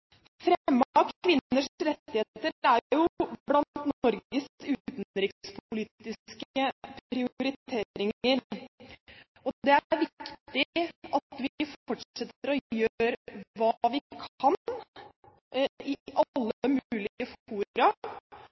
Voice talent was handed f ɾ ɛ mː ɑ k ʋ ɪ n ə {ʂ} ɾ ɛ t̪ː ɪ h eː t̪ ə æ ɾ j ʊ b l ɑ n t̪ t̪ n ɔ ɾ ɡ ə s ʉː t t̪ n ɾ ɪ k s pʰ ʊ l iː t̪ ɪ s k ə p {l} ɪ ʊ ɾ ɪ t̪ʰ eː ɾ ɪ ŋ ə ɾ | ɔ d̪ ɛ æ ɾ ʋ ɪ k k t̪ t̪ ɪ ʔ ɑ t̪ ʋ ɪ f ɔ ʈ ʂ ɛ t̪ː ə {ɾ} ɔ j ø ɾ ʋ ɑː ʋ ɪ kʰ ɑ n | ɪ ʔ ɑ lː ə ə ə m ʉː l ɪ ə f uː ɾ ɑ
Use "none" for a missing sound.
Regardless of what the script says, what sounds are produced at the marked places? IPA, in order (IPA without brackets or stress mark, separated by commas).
ʂ, ɾ, ɾ